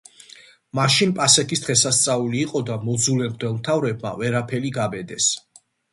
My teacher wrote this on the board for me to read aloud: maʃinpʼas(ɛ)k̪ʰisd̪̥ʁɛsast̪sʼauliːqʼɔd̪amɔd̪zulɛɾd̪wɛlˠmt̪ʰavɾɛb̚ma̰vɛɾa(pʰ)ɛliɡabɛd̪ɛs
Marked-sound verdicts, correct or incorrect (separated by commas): correct, correct